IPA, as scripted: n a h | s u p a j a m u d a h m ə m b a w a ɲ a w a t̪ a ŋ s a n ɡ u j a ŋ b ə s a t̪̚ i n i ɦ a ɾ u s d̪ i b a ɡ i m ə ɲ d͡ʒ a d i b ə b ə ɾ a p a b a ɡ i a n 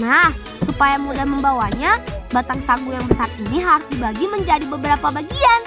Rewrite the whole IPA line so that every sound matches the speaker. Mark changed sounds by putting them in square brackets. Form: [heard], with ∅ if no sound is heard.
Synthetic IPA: n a h | s u p a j a m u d a h m ə m b a w a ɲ a [b] a t̪ a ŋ s a [ŋ] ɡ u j a ŋ b ə s a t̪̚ i n i ɦ a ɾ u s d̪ i b a ɡ i m ə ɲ d͡ʒ a d i b ə b ə ɾ a p a b a ɡ i a n